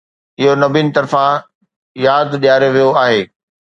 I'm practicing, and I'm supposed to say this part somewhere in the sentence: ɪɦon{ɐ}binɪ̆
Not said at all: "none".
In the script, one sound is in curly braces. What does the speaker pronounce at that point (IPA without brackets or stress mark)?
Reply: ɐ